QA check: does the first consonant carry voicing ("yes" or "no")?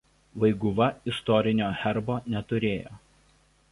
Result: yes